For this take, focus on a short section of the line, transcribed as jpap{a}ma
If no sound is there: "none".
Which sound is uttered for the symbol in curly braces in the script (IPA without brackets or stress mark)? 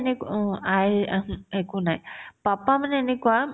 a